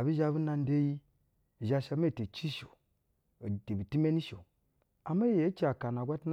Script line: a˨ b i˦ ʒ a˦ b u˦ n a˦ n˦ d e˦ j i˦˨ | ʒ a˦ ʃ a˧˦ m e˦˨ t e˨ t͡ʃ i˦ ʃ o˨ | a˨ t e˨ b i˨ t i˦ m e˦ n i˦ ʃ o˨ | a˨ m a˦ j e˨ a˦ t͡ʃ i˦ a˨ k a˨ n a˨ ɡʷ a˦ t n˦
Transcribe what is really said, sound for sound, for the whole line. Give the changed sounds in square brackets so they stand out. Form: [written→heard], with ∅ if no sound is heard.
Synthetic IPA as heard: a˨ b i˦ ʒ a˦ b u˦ n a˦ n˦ d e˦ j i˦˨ | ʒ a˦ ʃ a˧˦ m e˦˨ t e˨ t͡ʃ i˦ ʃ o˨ | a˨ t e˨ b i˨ t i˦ m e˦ n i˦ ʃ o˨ | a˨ m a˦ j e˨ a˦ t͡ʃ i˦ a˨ k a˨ n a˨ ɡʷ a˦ t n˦